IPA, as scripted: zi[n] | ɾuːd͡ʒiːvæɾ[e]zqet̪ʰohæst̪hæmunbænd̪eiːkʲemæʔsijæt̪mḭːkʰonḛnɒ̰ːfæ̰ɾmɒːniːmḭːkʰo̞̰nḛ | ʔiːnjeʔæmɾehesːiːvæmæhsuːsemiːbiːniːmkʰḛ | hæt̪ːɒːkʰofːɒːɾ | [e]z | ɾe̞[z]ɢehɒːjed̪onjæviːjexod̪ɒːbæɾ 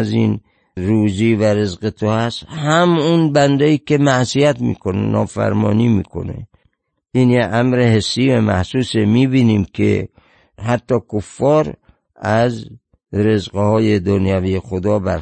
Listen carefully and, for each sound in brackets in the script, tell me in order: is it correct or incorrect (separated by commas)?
correct, correct, incorrect, correct